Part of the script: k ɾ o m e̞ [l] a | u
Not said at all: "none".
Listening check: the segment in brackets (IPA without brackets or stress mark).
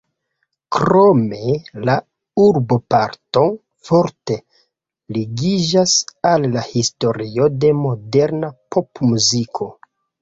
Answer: l